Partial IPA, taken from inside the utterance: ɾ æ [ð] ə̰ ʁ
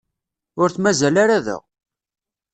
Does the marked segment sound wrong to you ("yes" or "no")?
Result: no